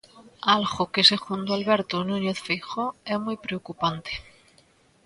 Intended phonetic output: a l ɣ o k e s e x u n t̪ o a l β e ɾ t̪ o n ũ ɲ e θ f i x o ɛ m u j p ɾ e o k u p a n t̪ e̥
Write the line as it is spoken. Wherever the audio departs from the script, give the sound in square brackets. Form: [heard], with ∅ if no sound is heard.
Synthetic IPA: a l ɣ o k e s e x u n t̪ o a l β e ɾ t̪ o n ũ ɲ e θ f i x o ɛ m u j p ɾ e o k u p a n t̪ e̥